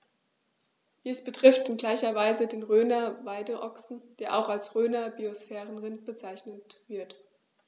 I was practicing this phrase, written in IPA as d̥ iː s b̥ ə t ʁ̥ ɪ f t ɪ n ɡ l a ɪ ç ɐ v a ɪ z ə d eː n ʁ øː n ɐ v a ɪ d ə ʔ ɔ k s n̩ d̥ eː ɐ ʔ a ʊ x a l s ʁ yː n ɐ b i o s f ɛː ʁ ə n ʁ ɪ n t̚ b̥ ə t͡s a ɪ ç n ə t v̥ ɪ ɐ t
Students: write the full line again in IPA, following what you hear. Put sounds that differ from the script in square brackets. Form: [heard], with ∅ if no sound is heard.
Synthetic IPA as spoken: d̥ iː s b̥ ə t ʁ̥ ɪ f t ɪ n ɡ l a ɪ ç ɐ v a ɪ z ə d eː n ʁ øː n ɐ v a ɪ d ə ʔ ɔ k s n̩ d̥ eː ɐ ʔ a ʊ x a l s ʁ [øː] n ɐ b i o s f ɛː ʁ ə n ʁ ɪ n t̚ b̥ ə t͡s a ɪ ç n ə t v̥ ɪ ɐ t